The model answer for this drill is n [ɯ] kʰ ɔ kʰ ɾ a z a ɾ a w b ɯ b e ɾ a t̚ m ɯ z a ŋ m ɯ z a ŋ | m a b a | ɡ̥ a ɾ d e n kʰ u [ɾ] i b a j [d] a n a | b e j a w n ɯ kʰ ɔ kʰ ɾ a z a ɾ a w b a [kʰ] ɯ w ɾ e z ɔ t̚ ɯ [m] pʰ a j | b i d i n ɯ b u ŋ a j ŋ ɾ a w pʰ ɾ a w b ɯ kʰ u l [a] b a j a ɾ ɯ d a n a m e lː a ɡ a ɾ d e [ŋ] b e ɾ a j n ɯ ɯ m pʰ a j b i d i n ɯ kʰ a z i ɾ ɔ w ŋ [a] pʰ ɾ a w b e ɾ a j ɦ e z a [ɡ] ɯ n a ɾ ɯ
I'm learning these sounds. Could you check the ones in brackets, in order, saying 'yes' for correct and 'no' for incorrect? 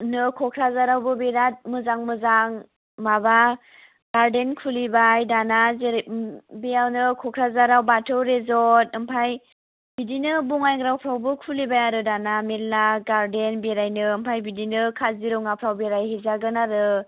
yes, no, yes, no, yes, no, no, yes, yes

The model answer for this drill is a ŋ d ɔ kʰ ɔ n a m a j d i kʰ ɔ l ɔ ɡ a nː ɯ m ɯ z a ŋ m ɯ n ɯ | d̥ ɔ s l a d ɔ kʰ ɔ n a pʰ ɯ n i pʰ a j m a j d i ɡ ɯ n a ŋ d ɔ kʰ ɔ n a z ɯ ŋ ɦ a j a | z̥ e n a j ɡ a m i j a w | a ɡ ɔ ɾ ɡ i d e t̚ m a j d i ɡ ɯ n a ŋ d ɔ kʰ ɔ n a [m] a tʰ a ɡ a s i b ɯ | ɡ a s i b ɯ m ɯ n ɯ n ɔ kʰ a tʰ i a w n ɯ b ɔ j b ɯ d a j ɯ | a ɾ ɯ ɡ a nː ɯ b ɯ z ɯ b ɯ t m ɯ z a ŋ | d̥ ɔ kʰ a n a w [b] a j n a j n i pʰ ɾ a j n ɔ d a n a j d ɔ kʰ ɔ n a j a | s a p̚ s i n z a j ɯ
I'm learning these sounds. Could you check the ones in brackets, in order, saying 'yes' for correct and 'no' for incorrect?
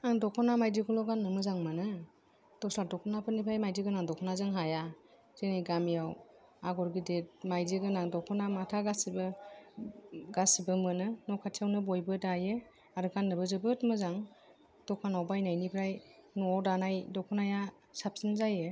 yes, yes

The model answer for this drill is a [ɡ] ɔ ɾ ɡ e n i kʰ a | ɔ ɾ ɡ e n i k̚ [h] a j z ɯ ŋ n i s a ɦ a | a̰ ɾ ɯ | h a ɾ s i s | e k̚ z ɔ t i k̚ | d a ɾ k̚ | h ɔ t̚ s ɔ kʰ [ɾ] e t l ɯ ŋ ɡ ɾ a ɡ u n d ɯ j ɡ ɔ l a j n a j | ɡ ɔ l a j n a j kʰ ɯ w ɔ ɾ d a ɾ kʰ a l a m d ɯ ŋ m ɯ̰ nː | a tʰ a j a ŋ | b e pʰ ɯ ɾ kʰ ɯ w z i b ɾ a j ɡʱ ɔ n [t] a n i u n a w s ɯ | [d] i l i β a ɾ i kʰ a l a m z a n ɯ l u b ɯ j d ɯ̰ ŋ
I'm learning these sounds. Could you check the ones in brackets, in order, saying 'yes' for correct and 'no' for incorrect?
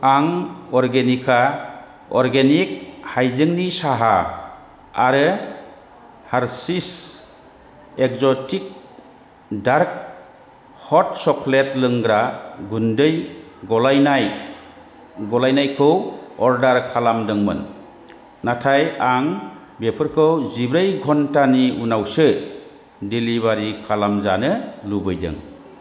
no, yes, no, yes, yes

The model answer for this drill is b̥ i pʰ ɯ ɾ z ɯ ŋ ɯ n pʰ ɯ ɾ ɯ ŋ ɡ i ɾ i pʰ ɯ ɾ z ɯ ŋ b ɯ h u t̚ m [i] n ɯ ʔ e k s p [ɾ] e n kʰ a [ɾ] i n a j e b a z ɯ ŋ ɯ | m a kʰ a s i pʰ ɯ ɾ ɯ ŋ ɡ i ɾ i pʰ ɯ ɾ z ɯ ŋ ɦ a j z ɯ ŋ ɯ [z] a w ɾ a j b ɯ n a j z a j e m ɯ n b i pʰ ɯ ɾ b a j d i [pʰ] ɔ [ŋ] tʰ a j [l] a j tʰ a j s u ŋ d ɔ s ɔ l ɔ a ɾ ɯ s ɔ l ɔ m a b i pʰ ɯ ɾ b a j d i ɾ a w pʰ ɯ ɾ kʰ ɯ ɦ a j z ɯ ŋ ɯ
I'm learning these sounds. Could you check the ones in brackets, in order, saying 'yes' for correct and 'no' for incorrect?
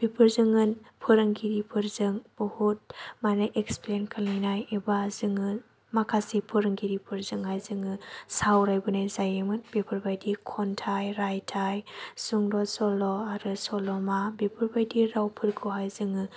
no, no, no, no, no, no, no

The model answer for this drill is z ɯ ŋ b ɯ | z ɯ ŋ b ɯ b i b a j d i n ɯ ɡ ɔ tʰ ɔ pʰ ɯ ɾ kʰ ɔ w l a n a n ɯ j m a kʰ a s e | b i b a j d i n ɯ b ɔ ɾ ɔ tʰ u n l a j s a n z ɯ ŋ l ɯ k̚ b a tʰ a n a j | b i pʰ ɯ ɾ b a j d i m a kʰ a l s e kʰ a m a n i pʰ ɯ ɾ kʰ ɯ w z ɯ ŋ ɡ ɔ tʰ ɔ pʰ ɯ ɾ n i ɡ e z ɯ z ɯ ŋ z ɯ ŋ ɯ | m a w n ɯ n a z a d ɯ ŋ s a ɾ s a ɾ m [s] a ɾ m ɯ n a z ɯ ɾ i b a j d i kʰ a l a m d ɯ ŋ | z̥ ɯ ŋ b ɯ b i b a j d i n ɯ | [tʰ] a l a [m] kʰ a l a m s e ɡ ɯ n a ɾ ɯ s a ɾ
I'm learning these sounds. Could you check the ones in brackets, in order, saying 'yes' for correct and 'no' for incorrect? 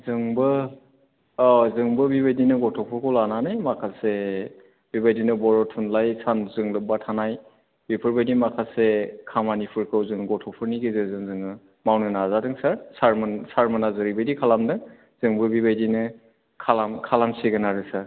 yes, no, yes

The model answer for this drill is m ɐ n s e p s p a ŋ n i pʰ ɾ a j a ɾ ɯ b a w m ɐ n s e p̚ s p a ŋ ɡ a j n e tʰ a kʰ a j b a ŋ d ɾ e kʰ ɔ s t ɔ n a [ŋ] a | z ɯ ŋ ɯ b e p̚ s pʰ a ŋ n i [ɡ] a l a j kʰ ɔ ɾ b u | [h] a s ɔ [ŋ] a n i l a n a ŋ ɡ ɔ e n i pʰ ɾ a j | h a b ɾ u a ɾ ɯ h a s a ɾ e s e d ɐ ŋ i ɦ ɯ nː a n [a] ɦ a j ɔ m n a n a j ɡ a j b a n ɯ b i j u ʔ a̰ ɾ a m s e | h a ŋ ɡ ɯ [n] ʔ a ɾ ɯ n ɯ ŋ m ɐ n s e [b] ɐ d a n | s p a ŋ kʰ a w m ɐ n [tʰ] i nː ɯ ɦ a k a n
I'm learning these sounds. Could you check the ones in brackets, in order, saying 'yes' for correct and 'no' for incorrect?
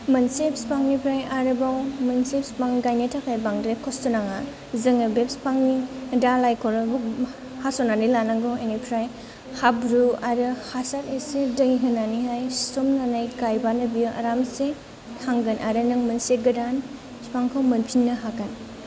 yes, no, yes, no, no, yes, no, no

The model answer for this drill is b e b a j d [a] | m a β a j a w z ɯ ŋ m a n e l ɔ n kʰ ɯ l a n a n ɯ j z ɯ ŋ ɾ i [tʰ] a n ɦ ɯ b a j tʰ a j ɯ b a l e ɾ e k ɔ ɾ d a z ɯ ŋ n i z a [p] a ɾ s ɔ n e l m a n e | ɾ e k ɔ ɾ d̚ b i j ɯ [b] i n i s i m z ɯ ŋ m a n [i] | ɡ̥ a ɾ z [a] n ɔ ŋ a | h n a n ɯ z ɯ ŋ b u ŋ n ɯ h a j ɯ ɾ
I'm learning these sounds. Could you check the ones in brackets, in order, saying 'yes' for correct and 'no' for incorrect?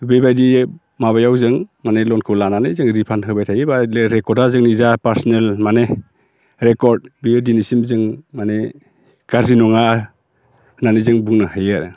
no, no, yes, no, no, no

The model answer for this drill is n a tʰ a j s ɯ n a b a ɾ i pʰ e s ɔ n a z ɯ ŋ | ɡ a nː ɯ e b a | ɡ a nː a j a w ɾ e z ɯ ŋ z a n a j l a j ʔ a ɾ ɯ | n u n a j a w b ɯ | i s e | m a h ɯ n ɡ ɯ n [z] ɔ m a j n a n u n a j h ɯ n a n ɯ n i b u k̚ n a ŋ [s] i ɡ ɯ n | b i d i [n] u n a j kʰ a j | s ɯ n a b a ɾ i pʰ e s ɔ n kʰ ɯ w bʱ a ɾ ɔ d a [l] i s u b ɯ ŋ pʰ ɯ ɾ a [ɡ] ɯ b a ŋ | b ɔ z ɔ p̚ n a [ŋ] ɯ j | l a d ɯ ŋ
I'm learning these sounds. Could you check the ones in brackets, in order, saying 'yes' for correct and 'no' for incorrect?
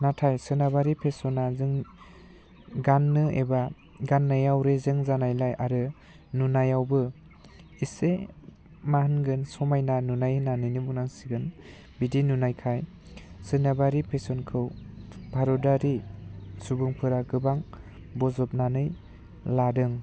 no, yes, yes, no, yes, no

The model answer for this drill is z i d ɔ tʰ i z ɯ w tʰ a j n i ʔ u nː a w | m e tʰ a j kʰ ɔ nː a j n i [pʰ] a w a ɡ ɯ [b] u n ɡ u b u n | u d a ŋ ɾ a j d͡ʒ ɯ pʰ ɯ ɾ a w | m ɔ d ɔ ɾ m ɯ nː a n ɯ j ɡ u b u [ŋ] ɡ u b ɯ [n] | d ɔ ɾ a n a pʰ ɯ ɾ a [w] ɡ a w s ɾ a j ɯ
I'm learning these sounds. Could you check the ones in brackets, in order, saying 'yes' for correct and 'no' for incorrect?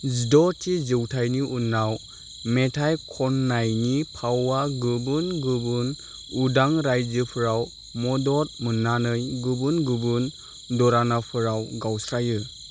yes, yes, no, yes, yes

